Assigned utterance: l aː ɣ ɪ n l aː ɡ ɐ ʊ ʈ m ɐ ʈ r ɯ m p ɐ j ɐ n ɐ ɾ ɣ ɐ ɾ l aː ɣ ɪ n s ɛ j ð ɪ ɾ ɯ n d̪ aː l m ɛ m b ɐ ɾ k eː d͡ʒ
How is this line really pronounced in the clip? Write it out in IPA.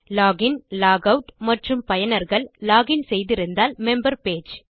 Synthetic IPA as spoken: l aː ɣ ɪ n l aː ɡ ɐ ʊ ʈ m ɐ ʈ r ɯ m p ɐ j ɐ n ɐ ɾ ɣ ɐ ɭ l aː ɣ ɪ n s ɛ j ð ɪ ɾ ɯ n d̪ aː l m ɛ m b ɐ ɾ p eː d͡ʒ